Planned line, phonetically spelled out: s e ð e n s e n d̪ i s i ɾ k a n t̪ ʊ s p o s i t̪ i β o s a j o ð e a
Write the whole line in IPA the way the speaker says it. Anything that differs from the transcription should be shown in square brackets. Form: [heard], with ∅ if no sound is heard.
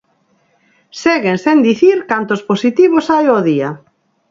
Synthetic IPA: s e [ɣ] e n s e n d̪ i [θ] i ɾ k a n t̪ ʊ s p o s i t̪ i β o s a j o ð [i] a